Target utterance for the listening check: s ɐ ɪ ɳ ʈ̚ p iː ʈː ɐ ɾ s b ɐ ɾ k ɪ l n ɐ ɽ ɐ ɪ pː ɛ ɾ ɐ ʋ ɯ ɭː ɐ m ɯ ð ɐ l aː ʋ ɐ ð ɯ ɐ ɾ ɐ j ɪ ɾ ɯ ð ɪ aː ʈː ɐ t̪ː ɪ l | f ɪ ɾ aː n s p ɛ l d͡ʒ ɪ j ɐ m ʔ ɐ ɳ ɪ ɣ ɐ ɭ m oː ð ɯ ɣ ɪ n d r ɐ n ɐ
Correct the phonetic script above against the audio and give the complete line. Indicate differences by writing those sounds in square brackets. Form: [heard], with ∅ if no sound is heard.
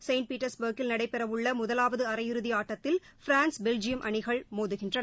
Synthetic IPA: s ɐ ɪ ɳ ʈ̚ p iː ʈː ɐ ɾ s b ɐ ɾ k ɪ l n ɐ ɽ ɐ ɪ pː ɛ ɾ ɐ ʋ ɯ ɭː ɐ m [ʊ] ð ɐ l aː ʋ ɐ ð ɯ ɐ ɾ ɐ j ɪ ɾ ɯ ð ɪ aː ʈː ɐ t̪ː ɪ l | f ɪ ɾ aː n s [b] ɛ l d͡ʒ ɪ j ɐ m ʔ ɐ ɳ ɪ ɣ ɐ ɭ m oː ð ɯ ɣ ɪ n d r ɐ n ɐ